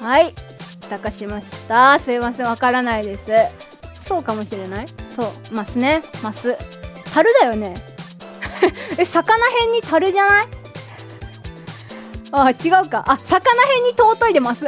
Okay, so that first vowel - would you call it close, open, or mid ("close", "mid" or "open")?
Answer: open